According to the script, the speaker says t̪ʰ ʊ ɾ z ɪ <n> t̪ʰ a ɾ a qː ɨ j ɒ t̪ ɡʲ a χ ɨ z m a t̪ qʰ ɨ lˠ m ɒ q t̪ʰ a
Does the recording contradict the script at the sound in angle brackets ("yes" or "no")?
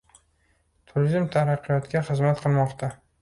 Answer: yes